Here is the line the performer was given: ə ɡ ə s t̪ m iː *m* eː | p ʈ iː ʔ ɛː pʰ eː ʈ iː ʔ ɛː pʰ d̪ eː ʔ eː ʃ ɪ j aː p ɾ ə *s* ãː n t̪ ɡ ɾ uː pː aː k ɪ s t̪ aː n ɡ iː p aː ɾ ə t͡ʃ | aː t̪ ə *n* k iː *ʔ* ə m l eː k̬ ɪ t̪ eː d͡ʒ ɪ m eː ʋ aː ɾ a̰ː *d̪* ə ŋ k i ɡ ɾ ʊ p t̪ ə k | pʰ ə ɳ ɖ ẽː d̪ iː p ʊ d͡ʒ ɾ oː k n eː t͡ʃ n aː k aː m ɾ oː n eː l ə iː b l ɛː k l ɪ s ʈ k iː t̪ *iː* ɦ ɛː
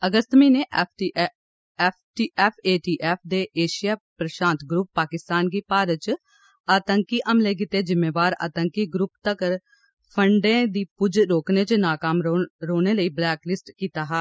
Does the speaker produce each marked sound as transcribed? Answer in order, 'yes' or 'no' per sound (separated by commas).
no, no, no, yes, no, no